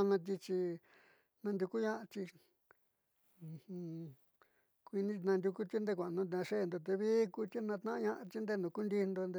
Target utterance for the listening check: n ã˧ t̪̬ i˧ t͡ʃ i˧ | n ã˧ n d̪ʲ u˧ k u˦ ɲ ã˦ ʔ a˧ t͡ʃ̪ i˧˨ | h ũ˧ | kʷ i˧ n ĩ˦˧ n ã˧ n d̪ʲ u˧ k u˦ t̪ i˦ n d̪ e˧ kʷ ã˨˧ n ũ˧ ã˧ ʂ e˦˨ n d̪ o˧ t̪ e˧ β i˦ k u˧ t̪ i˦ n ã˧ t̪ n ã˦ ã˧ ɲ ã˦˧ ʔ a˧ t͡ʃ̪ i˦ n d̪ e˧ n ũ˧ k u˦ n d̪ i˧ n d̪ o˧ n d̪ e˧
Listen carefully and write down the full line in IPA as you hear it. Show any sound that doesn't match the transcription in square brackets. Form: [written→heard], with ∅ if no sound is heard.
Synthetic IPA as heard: n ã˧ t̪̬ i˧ t͡ʃ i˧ | n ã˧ n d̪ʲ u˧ k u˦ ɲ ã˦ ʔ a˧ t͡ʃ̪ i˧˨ | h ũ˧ | kʷ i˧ n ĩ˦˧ n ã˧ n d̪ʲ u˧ k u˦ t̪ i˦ n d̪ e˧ kʷ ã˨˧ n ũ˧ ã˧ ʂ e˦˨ n d̪ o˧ t̪ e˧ β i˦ k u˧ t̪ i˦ n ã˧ t̪ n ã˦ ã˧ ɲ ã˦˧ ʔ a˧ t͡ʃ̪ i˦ n d̪ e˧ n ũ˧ k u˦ n d̪ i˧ n d̪ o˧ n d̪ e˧